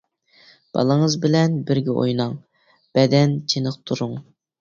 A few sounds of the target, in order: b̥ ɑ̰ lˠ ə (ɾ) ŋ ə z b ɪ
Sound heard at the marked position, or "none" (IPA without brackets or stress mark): none